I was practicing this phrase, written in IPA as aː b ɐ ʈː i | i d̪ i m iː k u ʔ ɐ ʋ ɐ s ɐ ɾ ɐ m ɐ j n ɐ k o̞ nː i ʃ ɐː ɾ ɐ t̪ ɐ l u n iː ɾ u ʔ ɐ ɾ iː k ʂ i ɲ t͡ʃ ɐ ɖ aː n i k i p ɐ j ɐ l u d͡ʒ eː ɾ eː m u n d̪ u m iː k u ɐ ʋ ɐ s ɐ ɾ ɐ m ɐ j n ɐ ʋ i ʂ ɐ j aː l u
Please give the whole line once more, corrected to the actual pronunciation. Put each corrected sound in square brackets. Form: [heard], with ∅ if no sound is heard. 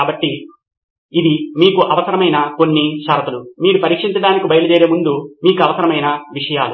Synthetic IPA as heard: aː b ɐ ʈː i | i d̪ i m iː k u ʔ ɐ ʋ ɐ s ɐ ɾ ɐ m ɐ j n ɐ k o̞ nː i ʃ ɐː ɾ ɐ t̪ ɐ l u [m] iː ɾ u [p] ɐ ɾ iː k ʂ i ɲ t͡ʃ ɐ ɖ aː n i k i [b] ɐ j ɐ l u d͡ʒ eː ɾ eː m u n d̪ u m iː k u ɐ ʋ ɐ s ɐ ɾ ɐ m ɐ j n ɐ ʋ i ʂ ɐ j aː l u

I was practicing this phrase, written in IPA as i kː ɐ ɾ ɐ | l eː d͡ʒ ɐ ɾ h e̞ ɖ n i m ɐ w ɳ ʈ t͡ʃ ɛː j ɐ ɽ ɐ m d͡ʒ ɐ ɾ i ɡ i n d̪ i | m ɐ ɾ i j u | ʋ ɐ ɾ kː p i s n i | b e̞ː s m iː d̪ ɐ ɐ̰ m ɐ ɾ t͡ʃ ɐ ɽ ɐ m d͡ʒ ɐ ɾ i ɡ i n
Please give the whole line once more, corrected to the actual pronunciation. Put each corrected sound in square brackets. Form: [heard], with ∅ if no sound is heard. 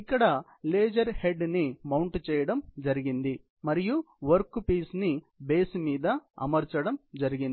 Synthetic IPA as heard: i kː ɐ [ɽ] ɐ | l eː d͡ʒ ɐ ɾ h e̞ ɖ n i m ɐ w ɳ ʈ t͡ʃ ɛː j ɐ ɽ ɐ m d͡ʒ ɐ ɾ i ɡ i n d̪ i | m ɐ ɾ i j u | ʋ ɐ ɾ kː p [iː] s n i | b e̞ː s m iː d̪ ɐ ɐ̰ m ɐ ɾ t͡ʃ ɐ ɽ ɐ m d͡ʒ ɐ ɾ i ɡ i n

